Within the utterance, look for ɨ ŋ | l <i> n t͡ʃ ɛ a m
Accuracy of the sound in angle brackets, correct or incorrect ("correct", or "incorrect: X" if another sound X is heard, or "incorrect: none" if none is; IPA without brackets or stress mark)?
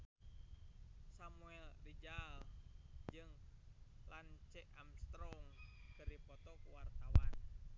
incorrect: a